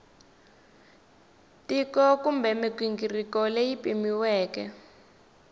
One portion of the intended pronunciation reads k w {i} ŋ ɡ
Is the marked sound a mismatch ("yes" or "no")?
no